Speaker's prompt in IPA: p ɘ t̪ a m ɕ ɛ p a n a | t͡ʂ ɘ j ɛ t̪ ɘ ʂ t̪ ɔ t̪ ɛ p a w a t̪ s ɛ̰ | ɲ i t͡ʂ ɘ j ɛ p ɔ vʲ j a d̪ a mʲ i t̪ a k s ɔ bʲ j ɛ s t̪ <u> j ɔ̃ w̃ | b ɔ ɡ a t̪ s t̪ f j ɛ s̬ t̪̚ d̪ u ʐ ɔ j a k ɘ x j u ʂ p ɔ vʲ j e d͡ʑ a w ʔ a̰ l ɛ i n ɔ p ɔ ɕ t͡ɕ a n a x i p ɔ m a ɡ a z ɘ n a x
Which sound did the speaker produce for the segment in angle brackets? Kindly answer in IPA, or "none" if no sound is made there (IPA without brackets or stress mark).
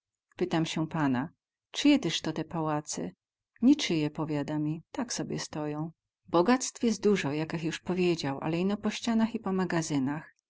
ɔ